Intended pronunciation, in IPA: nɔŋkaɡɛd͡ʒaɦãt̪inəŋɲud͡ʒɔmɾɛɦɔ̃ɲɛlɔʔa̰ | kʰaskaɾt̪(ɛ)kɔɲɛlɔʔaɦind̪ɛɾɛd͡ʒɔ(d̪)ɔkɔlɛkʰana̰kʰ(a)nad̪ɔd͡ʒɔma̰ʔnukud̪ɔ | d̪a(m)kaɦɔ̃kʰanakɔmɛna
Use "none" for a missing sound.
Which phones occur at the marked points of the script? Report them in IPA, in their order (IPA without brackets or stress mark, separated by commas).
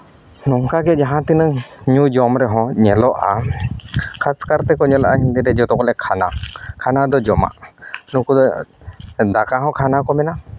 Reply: ɛ, t̪, a, none